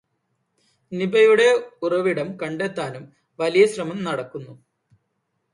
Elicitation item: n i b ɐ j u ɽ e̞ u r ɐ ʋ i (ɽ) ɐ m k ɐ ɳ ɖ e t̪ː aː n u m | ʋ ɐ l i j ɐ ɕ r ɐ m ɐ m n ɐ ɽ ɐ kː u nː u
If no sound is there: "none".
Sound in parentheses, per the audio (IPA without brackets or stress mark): ɽ